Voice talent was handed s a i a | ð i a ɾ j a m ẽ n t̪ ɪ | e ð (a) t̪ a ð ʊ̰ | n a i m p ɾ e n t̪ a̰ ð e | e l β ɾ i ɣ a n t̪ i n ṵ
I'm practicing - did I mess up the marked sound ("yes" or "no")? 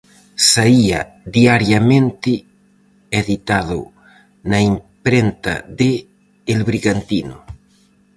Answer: yes